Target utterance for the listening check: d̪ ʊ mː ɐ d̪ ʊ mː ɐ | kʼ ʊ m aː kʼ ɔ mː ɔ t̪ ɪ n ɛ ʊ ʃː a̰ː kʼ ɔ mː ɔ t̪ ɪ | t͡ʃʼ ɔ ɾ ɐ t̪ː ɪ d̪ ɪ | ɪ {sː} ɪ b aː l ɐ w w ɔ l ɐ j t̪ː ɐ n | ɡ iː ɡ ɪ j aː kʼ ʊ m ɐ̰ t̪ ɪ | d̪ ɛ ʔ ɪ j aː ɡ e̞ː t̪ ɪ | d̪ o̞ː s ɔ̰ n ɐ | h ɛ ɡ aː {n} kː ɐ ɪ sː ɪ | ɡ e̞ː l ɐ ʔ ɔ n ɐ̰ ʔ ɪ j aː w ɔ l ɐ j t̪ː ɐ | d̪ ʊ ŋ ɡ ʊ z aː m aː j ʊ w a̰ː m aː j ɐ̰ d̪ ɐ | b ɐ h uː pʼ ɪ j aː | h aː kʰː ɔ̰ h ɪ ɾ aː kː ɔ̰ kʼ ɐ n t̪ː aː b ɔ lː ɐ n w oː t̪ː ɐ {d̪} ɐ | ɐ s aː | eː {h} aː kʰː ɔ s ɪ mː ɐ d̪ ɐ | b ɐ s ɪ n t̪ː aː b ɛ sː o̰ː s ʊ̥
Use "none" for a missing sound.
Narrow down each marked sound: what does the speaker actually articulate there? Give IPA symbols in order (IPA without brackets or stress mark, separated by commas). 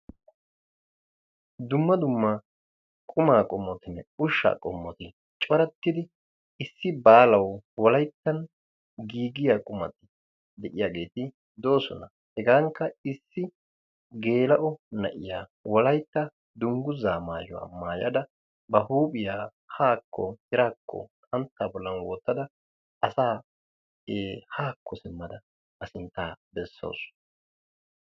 sː, ŋ, d̪, h